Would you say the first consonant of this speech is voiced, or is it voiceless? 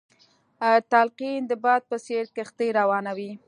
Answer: voiceless